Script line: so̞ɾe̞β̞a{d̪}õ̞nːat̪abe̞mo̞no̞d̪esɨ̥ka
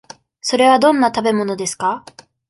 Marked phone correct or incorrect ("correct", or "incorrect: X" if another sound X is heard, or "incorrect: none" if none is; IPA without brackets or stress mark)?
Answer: correct